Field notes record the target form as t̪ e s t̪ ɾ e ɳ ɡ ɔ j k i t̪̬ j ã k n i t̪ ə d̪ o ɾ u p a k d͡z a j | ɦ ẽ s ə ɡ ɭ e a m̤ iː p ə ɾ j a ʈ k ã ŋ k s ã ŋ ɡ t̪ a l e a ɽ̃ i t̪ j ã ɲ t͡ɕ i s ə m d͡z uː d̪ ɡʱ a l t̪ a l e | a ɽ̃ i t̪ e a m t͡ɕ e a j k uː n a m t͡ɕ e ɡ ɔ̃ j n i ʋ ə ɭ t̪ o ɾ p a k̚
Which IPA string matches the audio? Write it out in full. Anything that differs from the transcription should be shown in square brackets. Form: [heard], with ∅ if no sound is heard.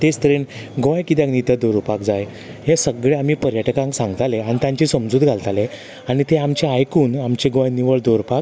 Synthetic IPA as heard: t̪ e s t̪ ɾ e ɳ ɡ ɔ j k i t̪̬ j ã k n i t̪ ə d̪ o ɾ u p a k d͡z a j | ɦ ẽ s ə ɡ ɭ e a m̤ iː p ə ɾ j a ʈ k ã ŋ k s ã ŋ ɡ t̪ a l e a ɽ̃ i t̪ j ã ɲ t͡ɕ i s ə m d͡z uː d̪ ɡʱ a l t̪ a l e | a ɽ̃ i t̪ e a m t͡ɕ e a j k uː n a m t͡ɕ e ɡ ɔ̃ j n i ʋ ə ɭ [d̪] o ɾ p a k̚